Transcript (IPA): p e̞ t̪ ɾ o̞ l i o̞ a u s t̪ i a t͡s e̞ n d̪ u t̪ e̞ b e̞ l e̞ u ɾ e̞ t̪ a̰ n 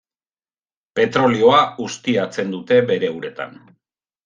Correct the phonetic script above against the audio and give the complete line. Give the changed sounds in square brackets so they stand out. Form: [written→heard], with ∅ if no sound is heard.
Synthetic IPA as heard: p e̞ t̪ ɾ o̞ l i o̞ a u s t̪ i a t͡s e̞ n d̪ u t̪ e̞ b e̞ [l→ɾ] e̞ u ɾ e̞ t̪ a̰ n

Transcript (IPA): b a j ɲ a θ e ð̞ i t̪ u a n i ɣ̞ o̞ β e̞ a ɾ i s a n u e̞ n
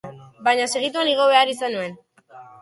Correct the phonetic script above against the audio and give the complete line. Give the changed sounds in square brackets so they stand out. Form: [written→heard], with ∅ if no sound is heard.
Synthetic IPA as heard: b a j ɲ a [θ→s] e [ð̞→ɣ̞] i t̪ u a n i ɣ̞ o̞ β e̞ a ɾ i s a n u e̞ n

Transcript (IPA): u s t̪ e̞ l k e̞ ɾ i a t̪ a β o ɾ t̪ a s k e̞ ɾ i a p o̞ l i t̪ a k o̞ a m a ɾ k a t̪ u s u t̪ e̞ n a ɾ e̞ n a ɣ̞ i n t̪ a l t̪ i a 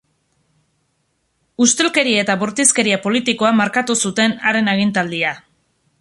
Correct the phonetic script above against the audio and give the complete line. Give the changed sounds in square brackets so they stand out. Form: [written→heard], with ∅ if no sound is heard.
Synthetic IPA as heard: u s t̪ e̞ l k e̞ ɾ i [a→e] t̪ a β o ɾ t̪ [a→i] s k e̞ ɾ i a p o̞ l i t̪ [a→i] k o̞ a m a ɾ k a t̪ u s u t̪ e̞ n a ɾ e̞ n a ɣ̞ i n t̪ a l [t̪→d̪] i a

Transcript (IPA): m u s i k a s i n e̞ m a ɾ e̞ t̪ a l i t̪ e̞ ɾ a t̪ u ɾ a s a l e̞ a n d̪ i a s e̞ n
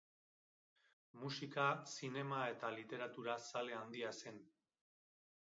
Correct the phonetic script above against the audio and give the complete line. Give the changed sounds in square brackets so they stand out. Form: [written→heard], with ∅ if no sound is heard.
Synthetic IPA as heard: m u s i k a s i n e̞ m a [ɾ→∅] e̞ t̪ a l i t̪ e̞ ɾ a t̪ u ɾ a s a l e̞ a n d̪ i a s e̞ n

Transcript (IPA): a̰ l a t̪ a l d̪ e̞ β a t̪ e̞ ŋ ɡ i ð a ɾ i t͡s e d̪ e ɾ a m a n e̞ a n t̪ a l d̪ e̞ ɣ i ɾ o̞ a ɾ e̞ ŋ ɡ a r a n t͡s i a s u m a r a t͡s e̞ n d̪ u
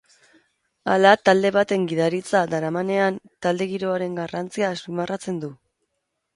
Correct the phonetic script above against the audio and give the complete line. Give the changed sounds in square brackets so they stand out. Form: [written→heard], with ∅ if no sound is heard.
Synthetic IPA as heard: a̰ l a t̪ a l d̪ e̞ β a t̪ e̞ ŋ ɡ i ð a ɾ i t͡s [e→a] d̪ [e→a] ɾ a m a n e̞ a n t̪ a l d̪ e̞ ɣ i ɾ o̞ a ɾ e̞ ŋ ɡ a r a n t͡s i a s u m a r a t͡s e̞ n d̪ u

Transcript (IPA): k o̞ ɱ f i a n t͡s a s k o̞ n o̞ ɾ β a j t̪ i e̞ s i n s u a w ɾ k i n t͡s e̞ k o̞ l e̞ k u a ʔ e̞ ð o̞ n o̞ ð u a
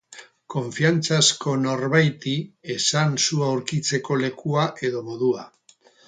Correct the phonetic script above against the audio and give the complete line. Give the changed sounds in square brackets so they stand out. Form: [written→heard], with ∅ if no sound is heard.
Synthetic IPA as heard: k o̞ ɱ f i a n t͡s a s k o̞ n o̞ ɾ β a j t̪ i e̞ s [i→a] n s u a w ɾ k i [n→∅] t͡s e̞ k o̞ l e̞ k u a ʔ e̞ ð o̞ [n→m] o̞ ð u a

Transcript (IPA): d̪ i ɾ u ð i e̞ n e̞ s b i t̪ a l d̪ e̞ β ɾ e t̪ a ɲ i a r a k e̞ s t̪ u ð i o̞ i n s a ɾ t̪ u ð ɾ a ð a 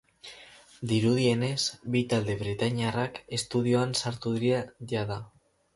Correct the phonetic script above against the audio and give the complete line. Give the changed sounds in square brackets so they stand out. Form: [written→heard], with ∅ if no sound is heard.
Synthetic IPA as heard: d̪ i ɾ u ð i e̞ n e̞ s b i t̪ a l d̪ e̞ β ɾ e t̪ a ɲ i a r a k e̞ s t̪ u ð i o̞ [i→a] n s a ɾ t̪ u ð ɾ a ð a

